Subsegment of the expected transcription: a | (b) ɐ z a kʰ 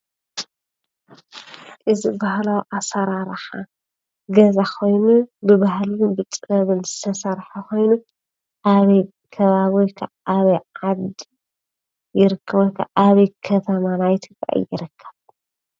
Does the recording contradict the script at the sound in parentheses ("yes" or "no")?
yes